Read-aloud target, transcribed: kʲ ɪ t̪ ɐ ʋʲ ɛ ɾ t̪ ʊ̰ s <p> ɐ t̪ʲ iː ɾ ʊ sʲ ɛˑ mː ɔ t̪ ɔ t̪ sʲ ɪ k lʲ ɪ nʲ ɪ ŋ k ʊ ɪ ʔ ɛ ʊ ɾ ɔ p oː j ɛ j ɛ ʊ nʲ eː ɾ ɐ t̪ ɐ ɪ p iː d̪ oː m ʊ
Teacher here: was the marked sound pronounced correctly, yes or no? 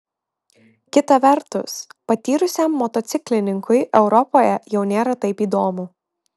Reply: yes